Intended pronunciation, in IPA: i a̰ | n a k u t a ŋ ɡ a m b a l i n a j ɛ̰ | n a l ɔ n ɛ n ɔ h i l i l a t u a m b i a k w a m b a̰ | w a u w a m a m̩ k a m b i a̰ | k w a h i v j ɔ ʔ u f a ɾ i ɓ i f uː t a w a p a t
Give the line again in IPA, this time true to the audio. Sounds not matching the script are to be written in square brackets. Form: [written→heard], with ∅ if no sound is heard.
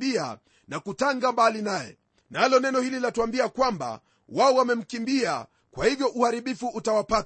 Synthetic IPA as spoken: i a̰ | n a k u t a ŋ ɡ a m b a l i n a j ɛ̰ | n a l ɔ n ɛ n ɔ h i l i l a t u a m b i a k w a m b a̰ | w a [u→ɔ] w a m [a→ɛ] m̩ k [a→i] m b i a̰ | k w a h i v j ɔ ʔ u [f→h] a ɾ i ɓ i f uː t a w a p a t